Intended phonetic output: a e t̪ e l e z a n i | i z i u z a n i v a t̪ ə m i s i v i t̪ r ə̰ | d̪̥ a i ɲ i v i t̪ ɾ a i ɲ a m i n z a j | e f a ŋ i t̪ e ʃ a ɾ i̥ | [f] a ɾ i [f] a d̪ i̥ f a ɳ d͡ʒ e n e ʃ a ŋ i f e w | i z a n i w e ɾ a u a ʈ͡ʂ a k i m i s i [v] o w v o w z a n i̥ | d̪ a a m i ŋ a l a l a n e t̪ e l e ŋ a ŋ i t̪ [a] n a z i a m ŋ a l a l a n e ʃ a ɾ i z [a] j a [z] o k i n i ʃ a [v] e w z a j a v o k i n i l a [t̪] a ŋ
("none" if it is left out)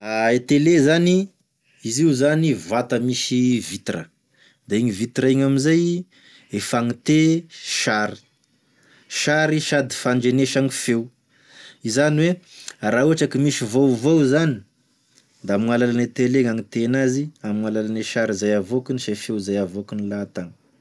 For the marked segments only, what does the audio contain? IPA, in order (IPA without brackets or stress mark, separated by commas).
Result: ʃ, ʃ, v, e, a, v, f, t̪